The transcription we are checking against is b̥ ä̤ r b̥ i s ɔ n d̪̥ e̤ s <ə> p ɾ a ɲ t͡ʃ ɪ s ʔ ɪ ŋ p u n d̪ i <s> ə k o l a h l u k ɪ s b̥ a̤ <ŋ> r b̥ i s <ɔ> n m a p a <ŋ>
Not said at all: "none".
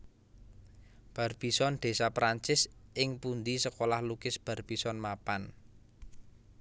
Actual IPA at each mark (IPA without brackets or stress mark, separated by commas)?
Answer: a, s, none, ɔ, n